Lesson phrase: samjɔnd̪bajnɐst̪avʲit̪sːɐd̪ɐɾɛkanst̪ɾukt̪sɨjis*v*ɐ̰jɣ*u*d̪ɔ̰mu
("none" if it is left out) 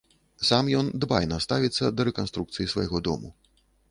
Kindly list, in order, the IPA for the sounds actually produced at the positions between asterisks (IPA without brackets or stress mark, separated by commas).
v, ɔ